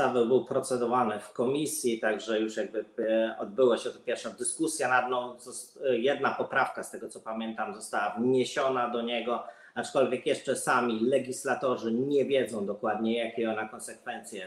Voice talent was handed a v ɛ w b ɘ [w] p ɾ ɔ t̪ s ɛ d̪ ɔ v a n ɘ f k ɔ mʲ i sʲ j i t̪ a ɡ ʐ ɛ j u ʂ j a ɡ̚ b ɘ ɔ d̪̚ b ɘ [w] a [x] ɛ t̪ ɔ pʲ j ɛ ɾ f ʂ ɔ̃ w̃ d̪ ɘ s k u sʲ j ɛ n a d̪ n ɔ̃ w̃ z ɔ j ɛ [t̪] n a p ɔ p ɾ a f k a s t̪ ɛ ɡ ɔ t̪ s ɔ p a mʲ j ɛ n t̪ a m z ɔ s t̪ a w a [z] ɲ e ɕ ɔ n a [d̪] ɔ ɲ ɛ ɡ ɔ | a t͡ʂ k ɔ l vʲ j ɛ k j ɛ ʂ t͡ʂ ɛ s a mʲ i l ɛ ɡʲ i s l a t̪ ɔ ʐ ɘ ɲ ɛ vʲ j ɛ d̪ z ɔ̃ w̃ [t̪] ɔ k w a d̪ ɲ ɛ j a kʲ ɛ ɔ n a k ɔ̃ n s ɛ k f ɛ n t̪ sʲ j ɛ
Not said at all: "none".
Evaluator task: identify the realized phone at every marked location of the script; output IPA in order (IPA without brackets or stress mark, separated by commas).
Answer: w, w, ɕ, d̪, v, d̪, d̪